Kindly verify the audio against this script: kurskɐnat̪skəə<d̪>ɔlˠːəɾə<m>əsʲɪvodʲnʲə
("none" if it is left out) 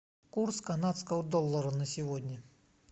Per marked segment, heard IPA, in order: d̪, n

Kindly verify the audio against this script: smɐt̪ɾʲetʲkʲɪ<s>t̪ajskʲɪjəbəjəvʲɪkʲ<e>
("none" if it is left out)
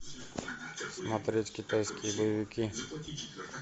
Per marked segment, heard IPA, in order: none, i

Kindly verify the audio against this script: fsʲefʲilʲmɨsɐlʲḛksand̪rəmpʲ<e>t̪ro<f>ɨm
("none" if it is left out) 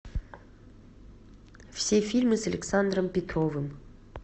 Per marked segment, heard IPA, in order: e, v

